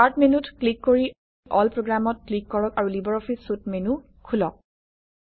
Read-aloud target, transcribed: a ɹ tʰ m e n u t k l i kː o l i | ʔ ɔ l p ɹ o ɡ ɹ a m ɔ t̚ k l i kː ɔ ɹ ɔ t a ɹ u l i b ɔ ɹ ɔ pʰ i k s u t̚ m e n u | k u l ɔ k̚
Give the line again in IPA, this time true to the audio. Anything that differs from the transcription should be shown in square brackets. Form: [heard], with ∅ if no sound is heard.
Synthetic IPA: a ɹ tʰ m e n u t k l i kː o [ɹ] i | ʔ ɔ l p ɹ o ɡ ɹ a m ɔ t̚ k l i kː ɔ ɹ ɔ [k] a ɹ u l i b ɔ ɹ ɔ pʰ i [∅] s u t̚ m e n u | [kʰ] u l ɔ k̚